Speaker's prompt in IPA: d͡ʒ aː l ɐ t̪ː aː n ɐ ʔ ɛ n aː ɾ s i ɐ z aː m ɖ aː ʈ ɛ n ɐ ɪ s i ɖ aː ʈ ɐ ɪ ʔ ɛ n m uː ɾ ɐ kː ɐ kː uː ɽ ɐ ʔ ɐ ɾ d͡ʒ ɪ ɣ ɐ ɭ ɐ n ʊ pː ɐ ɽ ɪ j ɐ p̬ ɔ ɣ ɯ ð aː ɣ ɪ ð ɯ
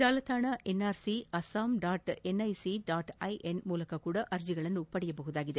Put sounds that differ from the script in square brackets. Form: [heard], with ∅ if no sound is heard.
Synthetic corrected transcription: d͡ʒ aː l ɐ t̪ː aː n ɐ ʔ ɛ n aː ɾ s i ɐ [s] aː m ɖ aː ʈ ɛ n ɐ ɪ s i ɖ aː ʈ ɐ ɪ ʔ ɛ n m uː [l] ɐ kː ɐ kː uː ɽ ɐ ʔ ɐ ɾ d͡ʒ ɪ ɣ ɐ ɭ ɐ n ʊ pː ɐ ɽ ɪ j ɐ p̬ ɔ ɣ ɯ ð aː ɣ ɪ ð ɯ

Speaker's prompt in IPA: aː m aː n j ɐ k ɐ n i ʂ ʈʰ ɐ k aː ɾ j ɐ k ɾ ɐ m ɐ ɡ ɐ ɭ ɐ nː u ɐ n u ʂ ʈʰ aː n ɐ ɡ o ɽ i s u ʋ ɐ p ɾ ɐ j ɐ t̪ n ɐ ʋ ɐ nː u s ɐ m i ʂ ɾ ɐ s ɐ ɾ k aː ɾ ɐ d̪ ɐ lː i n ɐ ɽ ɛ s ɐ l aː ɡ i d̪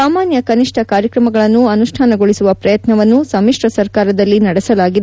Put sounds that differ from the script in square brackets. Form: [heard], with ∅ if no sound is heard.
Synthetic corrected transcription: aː m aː n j ɐ k ɐ n i ʂ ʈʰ ɐ k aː ɾ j ɐ k ɾ ɐ m ɐ ɡ ɐ ɭ ɐ nː u ɐ n u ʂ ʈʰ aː n ɐ ɡ o [ɭ] i s u ʋ ɐ p ɾ ɐ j ɐ t̪ n ɐ ʋ ɐ nː u s ɐ m i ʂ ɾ ɐ s ɐ ɾ k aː ɾ ɐ d̪ ɐ lː i n ɐ ɽ ɛ s ɐ l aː ɡ i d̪

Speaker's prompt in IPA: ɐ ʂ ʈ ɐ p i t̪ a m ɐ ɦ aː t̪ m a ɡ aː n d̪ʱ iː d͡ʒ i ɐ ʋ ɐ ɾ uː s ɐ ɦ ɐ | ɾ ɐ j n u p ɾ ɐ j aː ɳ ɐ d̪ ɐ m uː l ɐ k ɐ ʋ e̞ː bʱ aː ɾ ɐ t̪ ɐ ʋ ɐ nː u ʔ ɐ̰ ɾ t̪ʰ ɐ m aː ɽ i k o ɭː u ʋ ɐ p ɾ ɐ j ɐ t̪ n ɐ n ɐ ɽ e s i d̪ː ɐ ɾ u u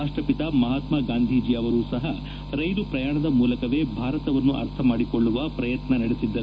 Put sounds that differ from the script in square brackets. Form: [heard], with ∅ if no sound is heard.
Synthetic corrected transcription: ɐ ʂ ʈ ɐ p i t̪ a m ɐ ɦ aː t̪ m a ɡ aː n d̪ʱ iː d͡ʒ i ɐ ʋ ɐ ɾ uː s ɐ ɦ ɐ | ɾ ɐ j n u p ɾ ɐ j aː ɳ ɐ d̪ ɐ m uː l ɐ k ɐ ʋ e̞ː bʱ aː ɾ ɐ t̪ ɐ ʋ ɐ nː u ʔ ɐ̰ ɾ t̪ʰ ɐ m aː ɽ i k o ɭː u ʋ ɐ p ɾ ɐ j ɐ t̪ n ɐ n ɐ ɽ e s i d̪ː ɐ ɾ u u

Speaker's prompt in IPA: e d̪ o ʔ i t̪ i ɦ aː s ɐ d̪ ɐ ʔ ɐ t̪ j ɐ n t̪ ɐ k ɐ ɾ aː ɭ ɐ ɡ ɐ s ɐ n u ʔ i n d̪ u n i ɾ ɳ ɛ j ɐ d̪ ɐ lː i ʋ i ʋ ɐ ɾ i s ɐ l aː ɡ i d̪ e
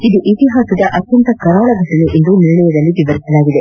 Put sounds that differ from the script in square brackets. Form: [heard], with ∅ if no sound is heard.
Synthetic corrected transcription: [i] d̪ [u] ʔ i t̪ i ɦ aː s ɐ d̪ ɐ ʔ ɐ t̪ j ɐ n t̪ ɐ k ɐ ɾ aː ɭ ɐ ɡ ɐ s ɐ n u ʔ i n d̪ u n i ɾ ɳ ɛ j ɐ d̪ ɐ lː i ʋ i ʋ ɐ ɾ i s ɐ l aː ɡ i d̪ e

